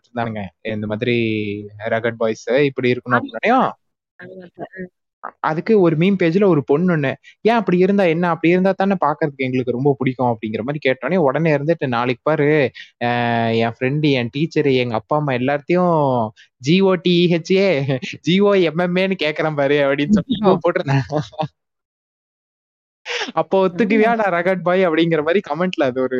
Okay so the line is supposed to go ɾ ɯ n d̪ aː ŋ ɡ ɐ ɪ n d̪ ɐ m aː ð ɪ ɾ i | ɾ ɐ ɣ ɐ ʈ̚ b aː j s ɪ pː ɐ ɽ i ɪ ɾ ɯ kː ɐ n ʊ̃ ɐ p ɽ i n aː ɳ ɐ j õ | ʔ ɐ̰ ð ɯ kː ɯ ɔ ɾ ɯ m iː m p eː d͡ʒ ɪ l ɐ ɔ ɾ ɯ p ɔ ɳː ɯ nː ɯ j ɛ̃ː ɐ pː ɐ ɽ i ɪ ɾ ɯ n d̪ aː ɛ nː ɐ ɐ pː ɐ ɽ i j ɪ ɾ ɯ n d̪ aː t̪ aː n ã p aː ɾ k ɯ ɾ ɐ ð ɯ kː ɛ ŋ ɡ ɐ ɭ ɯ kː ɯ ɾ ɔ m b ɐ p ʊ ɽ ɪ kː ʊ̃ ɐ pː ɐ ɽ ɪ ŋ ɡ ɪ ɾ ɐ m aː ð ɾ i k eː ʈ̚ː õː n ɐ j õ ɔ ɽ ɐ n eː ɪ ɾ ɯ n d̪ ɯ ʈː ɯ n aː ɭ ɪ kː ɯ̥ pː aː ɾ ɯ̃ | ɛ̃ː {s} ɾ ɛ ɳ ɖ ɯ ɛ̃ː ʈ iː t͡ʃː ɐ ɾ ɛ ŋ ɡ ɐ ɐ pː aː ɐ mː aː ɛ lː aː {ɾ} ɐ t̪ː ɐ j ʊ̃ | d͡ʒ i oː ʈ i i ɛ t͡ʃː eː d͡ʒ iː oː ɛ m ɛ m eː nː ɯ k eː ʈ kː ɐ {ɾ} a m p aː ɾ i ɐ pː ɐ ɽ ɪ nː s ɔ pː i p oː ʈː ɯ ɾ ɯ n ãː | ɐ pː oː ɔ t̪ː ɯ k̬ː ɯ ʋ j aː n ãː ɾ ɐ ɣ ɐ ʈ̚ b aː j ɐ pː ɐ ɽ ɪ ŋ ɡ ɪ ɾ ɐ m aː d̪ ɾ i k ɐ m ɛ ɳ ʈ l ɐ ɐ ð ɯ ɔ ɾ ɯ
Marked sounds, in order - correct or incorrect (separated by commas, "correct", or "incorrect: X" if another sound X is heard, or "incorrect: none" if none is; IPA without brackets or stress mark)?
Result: incorrect: f, correct, correct